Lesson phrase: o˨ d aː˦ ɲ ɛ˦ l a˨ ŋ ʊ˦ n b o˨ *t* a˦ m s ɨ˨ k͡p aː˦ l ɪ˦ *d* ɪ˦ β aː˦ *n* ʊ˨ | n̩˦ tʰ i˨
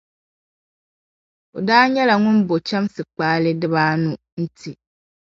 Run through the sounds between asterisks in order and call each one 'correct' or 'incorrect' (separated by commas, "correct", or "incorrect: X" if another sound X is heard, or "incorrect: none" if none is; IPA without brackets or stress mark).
incorrect: t͡ʃ, correct, correct